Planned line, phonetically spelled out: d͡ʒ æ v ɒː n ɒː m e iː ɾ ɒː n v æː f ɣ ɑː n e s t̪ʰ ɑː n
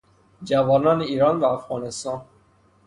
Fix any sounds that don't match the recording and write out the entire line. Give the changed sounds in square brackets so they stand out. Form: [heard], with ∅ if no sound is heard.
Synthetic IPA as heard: d͡ʒ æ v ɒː n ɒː [n] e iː ɾ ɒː n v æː f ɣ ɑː n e s [t̪] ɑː n